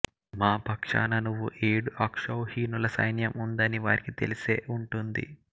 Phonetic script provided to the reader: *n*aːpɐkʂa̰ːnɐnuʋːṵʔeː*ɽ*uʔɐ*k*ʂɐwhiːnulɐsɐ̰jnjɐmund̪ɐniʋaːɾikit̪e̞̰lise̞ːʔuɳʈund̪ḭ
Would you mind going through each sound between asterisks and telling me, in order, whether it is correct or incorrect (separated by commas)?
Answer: incorrect, correct, correct